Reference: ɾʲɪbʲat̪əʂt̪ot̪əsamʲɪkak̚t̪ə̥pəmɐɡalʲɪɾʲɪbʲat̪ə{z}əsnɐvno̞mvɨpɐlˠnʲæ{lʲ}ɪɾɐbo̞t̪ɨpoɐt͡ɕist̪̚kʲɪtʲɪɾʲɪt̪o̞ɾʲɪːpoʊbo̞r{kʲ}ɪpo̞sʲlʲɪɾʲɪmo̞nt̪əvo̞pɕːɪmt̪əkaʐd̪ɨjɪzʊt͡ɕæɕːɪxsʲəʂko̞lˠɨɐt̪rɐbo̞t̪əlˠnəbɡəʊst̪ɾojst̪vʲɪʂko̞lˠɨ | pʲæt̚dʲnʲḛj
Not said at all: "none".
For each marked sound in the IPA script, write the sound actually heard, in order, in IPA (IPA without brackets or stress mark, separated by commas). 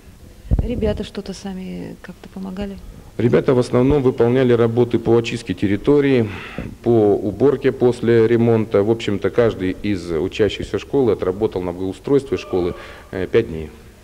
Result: v, lʲ, kʲ